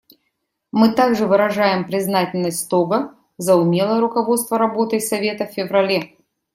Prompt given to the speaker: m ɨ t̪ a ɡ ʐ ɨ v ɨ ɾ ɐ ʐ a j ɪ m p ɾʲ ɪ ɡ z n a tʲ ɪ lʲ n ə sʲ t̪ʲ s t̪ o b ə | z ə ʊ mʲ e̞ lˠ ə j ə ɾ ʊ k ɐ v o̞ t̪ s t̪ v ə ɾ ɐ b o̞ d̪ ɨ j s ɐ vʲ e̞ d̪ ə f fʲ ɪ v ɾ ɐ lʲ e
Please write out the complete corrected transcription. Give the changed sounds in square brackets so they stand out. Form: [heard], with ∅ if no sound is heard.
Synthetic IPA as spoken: m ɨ t̪ a ɡ ʐ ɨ v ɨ ɾ ɐ ʐ a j ɪ m p ɾʲ ɪ [∅] z n a tʲ ɪ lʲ n ə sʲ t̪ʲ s t̪ o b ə | z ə ʊ mʲ e̞ lˠ ə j ə ɾ ʊ k ɐ v o̞ t̪ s t̪ v ə ɾ ɐ b o̞ [t̪] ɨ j s ɐ vʲ e̞ [t̪] ə f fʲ ɪ v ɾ ɐ lʲ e

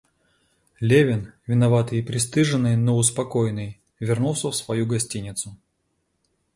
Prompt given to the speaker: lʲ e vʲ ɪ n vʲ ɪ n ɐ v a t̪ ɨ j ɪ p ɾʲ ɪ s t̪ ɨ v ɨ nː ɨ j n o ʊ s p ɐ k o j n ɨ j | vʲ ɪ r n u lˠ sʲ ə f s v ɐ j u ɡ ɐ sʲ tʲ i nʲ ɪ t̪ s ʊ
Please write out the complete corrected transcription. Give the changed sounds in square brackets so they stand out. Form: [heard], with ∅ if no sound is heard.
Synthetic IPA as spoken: lʲ e vʲ ɪ n vʲ ɪ n ɐ v a t̪ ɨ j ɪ p ɾʲ ɪ s t̪ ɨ [ʐ] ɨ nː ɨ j n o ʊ s p ɐ k o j n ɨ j | vʲ ɪ r n u lˠ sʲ ə f s v ɐ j u ɡ ɐ sʲ tʲ i nʲ ɪ t̪ s ʊ

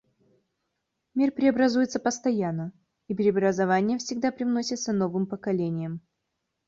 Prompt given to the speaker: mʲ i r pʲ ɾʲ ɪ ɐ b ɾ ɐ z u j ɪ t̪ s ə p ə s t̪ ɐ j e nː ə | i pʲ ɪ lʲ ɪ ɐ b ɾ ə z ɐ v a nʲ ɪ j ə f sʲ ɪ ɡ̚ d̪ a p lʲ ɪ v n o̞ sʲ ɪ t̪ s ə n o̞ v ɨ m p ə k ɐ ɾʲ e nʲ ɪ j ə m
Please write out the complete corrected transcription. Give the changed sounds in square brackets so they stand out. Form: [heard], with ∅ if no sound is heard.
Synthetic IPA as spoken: mʲ i r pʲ ɾʲ ɪ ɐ b ɾ ɐ z u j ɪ t̪ s ə p ə s t̪ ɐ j [a] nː ə | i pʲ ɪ [ɾʲ] ɪ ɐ b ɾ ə z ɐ v a nʲ ɪ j ə f sʲ ɪ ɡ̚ d̪ a p [ɾʲ] ɪ v n o̞ sʲ ɪ t̪ s ə n o̞ v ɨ m p ə k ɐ [lʲ] e nʲ ɪ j ə m

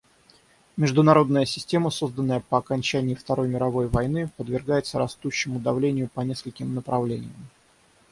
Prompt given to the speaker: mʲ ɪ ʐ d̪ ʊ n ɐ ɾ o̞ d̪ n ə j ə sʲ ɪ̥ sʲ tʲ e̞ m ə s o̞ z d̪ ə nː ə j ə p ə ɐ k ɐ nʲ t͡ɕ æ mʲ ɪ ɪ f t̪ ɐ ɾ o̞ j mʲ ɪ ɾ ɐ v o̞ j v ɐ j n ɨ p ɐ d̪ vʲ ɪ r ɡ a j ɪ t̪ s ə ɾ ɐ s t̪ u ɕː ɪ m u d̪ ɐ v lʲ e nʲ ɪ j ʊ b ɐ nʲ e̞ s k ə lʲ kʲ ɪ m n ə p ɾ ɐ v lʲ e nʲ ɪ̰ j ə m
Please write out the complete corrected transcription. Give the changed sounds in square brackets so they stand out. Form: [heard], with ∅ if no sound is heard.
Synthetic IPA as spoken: mʲ ɪ ʐ d̪ ʊ n ɐ ɾ o̞ d̪ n ə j ə sʲ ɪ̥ sʲ tʲ e̞ m ə s o̞ z d̪ ə nː ə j ə p ə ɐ k ɐ nʲ t͡ɕ æ [nʲ] ɪ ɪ f t̪ ɐ ɾ o̞ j mʲ ɪ ɾ ɐ v o̞ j v ɐ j n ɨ p [ə] d̪ vʲ ɪ r ɡ a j ɪ t̪ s ə ɾ ɐ s t̪ u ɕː ɪ m [ʊ] d̪ ɐ v lʲ e nʲ ɪ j ʊ [p] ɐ nʲ e̞ s k ə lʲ kʲ ɪ m n ə p ɾ ɐ v lʲ e nʲ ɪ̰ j ə m

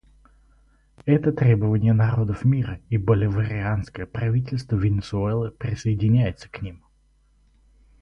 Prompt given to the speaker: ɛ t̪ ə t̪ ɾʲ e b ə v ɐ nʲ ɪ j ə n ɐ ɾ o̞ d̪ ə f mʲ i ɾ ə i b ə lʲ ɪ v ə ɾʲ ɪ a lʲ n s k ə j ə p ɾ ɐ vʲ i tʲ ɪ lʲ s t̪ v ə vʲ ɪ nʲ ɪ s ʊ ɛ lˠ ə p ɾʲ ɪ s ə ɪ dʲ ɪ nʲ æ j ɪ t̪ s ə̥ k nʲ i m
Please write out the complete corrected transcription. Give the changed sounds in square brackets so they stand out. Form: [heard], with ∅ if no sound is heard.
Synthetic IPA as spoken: ɛ t̪ ə t̪ ɾʲ e b ə v [ə] nʲ ɪ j ə n ɐ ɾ o̞ d̪ ə f mʲ i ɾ ə i b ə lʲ ɪ v ə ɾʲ ɪ a [∅] n s k ə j ə p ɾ ɐ vʲ i tʲ ɪ lʲ s t̪ v ə vʲ ɪ nʲ ɪ s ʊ ɛ lˠ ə p ɾʲ ɪ s ə ɪ dʲ ɪ nʲ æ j ɪ t̪ s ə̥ k nʲ i m

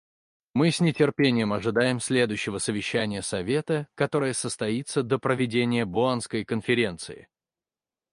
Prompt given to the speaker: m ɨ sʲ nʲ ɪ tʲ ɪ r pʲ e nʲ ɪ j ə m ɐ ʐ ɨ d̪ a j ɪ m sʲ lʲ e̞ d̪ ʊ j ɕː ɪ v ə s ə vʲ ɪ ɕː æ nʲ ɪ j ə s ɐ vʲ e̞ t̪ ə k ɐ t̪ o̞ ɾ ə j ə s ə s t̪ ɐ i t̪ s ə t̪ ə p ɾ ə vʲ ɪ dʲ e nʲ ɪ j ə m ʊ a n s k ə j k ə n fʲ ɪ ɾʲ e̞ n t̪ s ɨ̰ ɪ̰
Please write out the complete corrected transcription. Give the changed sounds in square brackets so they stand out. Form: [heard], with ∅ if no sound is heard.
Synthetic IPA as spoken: m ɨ sʲ nʲ ɪ tʲ ɪ r pʲ e nʲ ɪ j ə m ɐ ʐ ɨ d̪ a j ɪ m sʲ lʲ e̞ d̪ ʊ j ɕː ɪ v ə s ə vʲ ɪ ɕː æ nʲ ɪ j ə s ɐ vʲ e̞ t̪ ə k ɐ t̪ o̞ ɾ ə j ə s ə s t̪ ɐ i t̪ s ə [d̪] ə p ɾ ə vʲ ɪ dʲ e nʲ ɪ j ə [b] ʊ a n s k ə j k ə n fʲ ɪ ɾʲ e̞ n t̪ s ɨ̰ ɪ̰

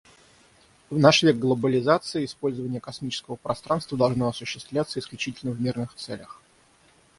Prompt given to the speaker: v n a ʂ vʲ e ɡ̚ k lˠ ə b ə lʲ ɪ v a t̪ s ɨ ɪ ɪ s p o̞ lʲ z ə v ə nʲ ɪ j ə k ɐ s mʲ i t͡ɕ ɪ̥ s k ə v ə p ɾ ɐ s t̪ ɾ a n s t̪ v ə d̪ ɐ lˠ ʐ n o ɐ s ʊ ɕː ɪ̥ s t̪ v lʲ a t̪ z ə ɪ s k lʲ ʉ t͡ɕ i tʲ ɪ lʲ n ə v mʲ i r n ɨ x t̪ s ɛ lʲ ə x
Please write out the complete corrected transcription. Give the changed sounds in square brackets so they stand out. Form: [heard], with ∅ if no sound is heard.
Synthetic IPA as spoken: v n a ʂ vʲ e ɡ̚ [ɡ] lˠ ə b ə lʲ ɪ [z] a t̪ s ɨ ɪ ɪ s p o̞ lʲ z ə v ə nʲ ɪ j ə k ɐ s mʲ i t͡ɕ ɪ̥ s k ə v ə p ɾ ɐ s t̪ ɾ a n s t̪ v ə d̪ ɐ lˠ ʐ n o ɐ s ʊ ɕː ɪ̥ s t̪ v lʲ a t̪ [s] ə ɪ s k lʲ ʉ t͡ɕ i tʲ ɪ lʲ n ə v mʲ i r n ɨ x t̪ s ɛ lʲ ə x

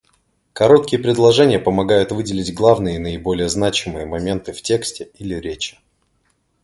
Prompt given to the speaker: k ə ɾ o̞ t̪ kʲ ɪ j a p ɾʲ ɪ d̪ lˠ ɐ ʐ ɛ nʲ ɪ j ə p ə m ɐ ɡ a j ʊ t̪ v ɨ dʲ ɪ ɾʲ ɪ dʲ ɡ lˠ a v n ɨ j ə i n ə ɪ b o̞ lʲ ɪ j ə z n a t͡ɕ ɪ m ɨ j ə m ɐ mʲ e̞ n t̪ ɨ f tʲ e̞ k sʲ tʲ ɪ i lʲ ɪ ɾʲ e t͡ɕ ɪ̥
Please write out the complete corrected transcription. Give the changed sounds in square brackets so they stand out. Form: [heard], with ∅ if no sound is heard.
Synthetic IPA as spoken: k [ɐ] ɾ o̞ t̪ kʲ ɪ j [ə] p ɾʲ ɪ d̪ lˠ ɐ ʐ ɛ nʲ ɪ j ə p ə m ɐ ɡ a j ʊ t̪ v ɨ dʲ ɪ [lʲ] ɪ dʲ ɡ lˠ a v n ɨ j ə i n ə ɪ b o̞ lʲ ɪ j ə z n a t͡ɕ ɪ m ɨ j ə m ɐ mʲ e̞ n t̪ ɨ f tʲ e̞ k sʲ tʲ ɪ i lʲ ɪ ɾʲ e t͡ɕ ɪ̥

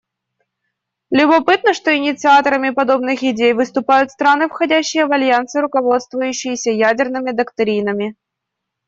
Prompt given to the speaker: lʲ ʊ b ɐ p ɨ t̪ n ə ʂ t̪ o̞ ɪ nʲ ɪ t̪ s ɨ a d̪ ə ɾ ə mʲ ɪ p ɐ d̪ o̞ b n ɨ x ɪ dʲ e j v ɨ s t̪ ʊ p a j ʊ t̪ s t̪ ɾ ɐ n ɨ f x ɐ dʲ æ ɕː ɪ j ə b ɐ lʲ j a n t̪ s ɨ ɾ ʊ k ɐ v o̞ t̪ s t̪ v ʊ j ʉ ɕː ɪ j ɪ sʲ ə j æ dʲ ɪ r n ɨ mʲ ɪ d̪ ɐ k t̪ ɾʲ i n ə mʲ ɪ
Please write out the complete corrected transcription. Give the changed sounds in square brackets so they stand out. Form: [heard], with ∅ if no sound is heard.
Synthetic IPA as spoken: lʲ ʊ b ɐ p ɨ t̪ n ə ʂ t̪ o̞ ɪ nʲ ɪ t̪ s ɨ a [t̪] ə ɾ ə mʲ ɪ p ɐ d̪ o̞ b n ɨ x ɪ dʲ e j v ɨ s t̪ ʊ p a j ʊ t̪ s t̪ ɾ [a] n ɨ f x ɐ dʲ æ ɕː ɪ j ə [v] ɐ lʲ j a n t̪ s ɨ ɾ ʊ k ɐ v o̞ t̪ s t̪ v ʊ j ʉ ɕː ɪ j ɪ sʲ ə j æ dʲ ɪ r n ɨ mʲ ɪ d̪ ɐ k t̪ ɾʲ i n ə mʲ ɪ

